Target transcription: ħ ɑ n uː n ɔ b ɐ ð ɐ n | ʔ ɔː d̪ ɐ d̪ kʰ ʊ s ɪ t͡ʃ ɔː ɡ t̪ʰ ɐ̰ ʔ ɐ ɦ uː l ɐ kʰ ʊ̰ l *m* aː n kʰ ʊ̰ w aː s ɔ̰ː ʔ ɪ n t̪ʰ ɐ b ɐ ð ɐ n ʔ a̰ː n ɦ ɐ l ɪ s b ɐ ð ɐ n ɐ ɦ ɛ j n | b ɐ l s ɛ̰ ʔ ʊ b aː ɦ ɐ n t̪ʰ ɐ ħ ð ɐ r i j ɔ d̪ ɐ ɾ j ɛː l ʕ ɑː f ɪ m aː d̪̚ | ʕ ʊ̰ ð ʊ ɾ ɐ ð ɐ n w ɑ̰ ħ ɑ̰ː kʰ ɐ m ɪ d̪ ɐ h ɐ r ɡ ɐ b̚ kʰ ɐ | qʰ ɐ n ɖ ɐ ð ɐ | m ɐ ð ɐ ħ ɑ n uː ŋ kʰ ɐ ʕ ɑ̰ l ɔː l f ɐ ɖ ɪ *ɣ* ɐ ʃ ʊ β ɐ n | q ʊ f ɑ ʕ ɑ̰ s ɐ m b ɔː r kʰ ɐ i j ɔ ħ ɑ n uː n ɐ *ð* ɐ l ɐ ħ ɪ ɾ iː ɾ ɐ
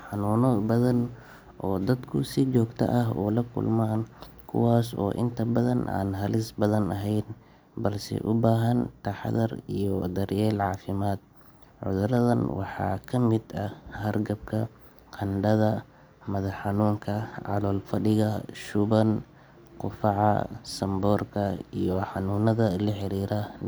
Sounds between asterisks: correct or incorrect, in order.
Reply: correct, correct, correct

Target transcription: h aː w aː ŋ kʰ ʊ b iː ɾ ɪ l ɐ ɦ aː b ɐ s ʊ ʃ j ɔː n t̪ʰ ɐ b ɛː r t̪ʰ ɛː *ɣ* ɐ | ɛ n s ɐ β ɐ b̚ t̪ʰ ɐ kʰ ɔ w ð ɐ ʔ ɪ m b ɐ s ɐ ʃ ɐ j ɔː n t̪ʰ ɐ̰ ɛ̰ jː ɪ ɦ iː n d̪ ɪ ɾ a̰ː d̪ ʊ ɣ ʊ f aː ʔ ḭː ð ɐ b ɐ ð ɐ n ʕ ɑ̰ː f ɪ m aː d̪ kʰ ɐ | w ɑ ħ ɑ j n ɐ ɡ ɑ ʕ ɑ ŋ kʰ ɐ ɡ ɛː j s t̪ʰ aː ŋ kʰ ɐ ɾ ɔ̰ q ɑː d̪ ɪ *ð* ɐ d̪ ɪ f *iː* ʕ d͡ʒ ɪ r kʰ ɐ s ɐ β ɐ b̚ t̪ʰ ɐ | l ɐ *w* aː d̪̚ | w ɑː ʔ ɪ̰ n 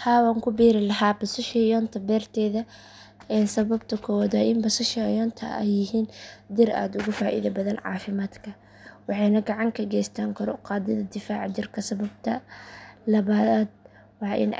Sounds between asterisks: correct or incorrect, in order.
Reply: incorrect: ð, correct, incorrect: aː, incorrect: β

